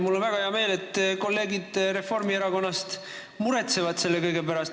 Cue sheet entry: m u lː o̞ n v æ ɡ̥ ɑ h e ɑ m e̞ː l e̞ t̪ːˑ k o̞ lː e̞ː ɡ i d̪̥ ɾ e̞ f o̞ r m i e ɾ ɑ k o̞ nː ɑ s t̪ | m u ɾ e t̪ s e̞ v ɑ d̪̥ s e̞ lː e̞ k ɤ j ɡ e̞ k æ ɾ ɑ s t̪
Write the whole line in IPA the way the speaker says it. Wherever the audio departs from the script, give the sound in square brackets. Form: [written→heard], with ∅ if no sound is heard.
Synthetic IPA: m u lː o̞ n v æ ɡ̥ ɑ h e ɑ m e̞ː l e̞ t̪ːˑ k o̞ lː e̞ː ɡ i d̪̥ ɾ e̞ f o̞ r m i e ɾ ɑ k o̞ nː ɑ s t̪ | m u ɾ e t̪ s e̞ v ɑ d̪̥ s e̞ lː e̞ k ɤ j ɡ e̞ [k→p] æ ɾ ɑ s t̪